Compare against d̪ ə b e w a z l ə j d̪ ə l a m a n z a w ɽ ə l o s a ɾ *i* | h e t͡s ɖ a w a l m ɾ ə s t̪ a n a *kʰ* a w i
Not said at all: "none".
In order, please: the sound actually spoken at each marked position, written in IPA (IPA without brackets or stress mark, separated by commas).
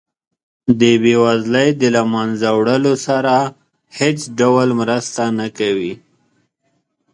a, k